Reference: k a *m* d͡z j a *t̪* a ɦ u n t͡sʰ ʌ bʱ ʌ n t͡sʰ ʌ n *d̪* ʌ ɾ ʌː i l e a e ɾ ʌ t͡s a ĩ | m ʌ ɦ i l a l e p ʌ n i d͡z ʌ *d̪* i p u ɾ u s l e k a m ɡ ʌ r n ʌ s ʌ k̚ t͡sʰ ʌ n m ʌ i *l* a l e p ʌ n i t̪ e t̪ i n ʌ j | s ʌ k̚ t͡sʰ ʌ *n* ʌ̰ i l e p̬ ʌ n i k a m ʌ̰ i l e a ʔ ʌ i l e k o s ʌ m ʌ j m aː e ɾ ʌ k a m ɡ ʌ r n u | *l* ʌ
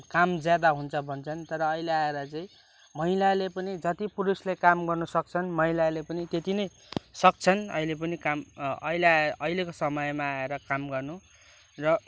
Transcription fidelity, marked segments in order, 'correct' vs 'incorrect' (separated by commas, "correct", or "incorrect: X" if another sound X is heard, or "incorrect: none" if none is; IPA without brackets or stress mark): correct, incorrect: d̪, incorrect: t̪, incorrect: t̪, correct, correct, incorrect: r